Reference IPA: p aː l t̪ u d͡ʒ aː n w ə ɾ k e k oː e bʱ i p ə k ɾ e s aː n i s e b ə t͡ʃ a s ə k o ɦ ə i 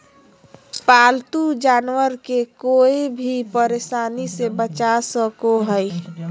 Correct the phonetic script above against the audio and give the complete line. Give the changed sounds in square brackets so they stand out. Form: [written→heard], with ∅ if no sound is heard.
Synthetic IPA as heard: p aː l t̪ u d͡ʒ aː n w ə ɾ k e k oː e bʱ i p ə [k→∅] ɾ e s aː n i s e b ə t͡ʃ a s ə k o ɦ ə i